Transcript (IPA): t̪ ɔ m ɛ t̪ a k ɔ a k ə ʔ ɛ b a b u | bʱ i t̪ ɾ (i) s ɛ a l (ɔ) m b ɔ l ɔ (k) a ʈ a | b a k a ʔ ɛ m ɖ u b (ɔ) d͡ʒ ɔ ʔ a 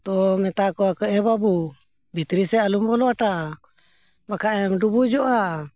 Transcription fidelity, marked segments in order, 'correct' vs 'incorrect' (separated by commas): correct, incorrect, incorrect, incorrect